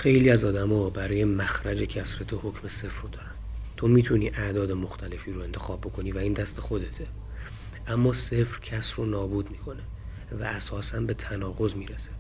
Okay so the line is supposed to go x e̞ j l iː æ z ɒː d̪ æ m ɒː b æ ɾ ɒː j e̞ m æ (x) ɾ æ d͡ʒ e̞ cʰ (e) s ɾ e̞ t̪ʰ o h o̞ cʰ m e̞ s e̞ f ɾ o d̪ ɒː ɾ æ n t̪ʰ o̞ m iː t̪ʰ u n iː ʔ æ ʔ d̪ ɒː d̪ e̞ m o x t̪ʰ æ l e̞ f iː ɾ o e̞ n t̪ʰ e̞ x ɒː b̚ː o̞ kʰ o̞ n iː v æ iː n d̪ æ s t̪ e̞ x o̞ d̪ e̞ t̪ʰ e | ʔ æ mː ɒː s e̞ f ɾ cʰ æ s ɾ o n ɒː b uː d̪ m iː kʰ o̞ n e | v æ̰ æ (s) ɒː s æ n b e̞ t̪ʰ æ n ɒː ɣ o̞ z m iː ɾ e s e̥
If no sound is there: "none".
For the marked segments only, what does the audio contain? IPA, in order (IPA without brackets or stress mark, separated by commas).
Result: x, æ, s